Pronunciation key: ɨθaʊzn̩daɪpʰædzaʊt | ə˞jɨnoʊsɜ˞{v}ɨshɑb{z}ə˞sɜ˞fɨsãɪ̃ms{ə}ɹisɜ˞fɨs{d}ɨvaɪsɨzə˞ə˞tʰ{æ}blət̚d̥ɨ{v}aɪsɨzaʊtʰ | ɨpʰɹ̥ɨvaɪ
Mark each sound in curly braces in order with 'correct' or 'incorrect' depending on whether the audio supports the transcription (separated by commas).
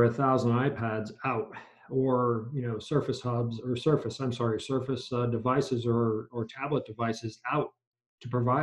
incorrect, correct, incorrect, correct, correct, correct